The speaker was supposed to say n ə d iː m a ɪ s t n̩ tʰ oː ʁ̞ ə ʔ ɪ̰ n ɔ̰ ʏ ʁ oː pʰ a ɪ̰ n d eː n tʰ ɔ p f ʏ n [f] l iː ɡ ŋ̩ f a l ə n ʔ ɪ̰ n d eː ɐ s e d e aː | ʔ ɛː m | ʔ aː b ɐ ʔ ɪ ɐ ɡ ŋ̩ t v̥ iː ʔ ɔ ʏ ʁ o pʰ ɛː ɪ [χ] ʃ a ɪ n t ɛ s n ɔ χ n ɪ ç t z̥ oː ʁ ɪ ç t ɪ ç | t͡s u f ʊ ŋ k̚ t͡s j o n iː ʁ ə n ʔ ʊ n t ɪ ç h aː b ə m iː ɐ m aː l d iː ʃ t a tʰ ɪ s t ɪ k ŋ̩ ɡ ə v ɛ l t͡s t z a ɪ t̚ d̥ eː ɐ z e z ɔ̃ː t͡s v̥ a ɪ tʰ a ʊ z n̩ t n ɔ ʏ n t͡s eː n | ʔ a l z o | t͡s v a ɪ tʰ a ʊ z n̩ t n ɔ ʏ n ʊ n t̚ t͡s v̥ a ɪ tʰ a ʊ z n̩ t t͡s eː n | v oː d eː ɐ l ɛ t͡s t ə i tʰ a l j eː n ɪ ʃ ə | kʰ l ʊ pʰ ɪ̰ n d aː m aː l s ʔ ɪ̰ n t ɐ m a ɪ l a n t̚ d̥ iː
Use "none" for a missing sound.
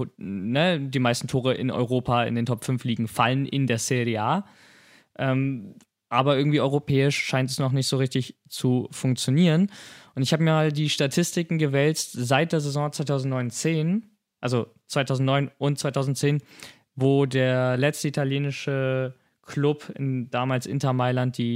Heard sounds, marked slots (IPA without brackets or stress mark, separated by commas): f, ʃ